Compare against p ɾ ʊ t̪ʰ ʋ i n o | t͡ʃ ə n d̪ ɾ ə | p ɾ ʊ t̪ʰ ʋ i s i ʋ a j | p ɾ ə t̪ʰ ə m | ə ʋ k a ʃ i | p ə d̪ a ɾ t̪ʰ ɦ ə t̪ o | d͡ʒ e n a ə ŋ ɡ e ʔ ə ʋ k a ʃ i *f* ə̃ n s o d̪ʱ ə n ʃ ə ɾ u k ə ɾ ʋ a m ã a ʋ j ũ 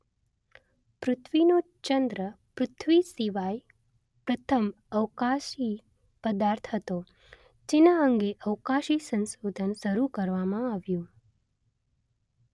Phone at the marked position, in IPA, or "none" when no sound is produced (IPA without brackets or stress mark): s